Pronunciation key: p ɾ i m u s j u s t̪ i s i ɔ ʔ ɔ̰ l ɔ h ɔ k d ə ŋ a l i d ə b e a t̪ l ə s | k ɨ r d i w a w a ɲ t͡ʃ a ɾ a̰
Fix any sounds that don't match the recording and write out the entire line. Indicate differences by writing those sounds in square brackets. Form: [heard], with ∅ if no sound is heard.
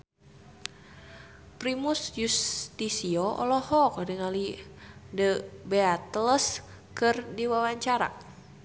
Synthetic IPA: p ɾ i m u s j u s t̪ i s i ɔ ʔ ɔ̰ l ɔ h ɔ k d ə ŋ a l i d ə b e a t̪ l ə s | k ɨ r d i w a w a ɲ t͡ʃ a ɾ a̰